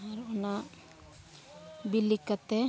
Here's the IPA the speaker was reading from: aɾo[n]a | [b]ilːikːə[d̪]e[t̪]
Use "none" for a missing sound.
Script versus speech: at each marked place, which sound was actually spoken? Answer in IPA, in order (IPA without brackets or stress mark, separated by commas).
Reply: n, b, t̪, none